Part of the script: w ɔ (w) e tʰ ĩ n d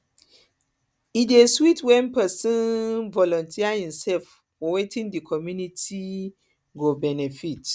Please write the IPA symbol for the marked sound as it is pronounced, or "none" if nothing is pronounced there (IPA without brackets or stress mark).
w